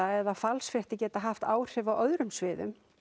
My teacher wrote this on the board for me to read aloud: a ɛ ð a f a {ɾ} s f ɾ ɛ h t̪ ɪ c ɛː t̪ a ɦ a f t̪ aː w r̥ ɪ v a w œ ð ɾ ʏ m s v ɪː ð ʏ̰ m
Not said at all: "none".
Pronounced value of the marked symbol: l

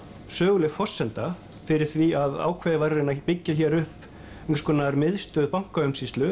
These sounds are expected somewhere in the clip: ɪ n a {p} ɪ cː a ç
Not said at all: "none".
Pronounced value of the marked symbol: p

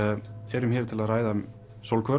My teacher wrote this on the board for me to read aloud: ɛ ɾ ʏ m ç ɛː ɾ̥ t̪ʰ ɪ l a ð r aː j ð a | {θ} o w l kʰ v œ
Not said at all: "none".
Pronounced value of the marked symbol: s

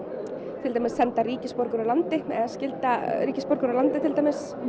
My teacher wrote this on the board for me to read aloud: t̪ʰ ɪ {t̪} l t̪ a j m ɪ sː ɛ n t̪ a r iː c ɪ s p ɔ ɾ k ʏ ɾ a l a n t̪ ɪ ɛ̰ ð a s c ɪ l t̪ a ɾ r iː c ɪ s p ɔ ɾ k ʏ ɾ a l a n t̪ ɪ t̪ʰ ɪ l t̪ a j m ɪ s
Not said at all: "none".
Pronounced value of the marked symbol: none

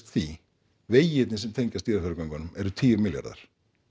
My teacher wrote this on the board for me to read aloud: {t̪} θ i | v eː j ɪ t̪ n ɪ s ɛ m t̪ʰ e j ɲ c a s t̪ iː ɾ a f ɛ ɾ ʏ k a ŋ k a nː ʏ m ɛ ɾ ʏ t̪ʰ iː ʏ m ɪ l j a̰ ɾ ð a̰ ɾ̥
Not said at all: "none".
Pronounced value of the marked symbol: t̪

